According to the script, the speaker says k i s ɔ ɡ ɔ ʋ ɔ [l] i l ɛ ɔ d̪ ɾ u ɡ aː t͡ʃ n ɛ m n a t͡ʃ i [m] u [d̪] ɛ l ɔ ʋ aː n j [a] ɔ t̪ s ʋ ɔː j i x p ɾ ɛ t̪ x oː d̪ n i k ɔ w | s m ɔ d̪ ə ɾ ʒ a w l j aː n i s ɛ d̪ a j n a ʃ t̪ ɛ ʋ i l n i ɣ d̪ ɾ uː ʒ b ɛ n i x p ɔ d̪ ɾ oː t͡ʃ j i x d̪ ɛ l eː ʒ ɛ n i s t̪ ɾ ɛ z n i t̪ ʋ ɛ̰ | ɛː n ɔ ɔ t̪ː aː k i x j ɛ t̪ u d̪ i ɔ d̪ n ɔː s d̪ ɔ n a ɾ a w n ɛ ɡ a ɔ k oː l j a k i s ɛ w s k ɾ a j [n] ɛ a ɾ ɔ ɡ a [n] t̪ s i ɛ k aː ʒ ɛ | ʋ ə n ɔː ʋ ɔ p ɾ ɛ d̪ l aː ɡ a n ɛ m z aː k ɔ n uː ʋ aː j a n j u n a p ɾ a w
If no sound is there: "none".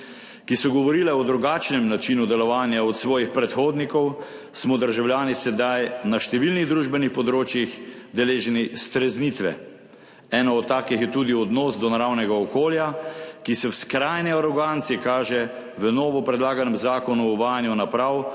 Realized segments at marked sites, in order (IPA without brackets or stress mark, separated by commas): ɾ, n, d̪, a, n, n